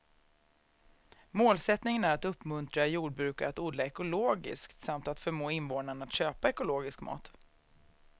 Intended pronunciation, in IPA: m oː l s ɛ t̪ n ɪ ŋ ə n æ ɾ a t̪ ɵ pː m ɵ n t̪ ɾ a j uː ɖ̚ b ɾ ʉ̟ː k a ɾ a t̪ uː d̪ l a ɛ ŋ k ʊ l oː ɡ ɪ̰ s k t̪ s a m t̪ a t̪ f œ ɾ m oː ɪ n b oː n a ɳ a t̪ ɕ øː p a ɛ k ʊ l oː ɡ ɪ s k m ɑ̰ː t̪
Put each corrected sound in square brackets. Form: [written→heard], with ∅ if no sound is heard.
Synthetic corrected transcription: m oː l s ɛ t̪ n ɪ ŋ ə n æ ɾ a t̪ ɵ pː m ɵ n t̪ ɾ a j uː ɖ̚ b ɾ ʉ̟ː k a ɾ a t̪ uː d̪ l a ɛ [ŋ→∅] k ʊ l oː ɡ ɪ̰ s k t̪ s a m t̪ a t̪ f œ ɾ m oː ɪ n [b→v] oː n a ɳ a t̪ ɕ øː p a ɛ k ʊ l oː ɡ ɪ s k m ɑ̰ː t̪